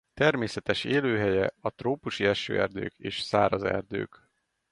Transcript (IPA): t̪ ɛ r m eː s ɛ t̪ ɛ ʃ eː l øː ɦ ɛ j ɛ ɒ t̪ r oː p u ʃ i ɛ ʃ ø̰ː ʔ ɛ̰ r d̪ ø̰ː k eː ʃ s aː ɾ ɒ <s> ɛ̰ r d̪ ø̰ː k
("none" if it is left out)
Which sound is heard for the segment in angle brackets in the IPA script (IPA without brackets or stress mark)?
z